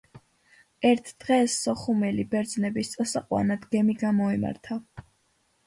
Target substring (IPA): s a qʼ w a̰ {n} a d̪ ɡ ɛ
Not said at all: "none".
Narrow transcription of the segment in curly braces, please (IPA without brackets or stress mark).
n